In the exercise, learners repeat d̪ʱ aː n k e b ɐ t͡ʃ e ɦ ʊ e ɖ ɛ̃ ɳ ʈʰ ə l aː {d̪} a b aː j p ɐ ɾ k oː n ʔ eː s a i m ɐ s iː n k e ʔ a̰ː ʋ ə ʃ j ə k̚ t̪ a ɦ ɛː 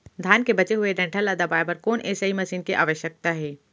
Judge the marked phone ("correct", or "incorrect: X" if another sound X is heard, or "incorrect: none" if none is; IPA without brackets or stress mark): correct